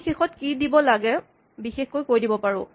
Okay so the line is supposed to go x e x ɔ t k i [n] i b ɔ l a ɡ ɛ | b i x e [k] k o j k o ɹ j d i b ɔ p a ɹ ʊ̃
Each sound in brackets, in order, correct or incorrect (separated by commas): incorrect, incorrect